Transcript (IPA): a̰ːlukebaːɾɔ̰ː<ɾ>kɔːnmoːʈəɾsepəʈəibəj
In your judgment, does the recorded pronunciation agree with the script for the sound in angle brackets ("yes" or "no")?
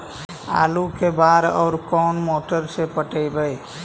yes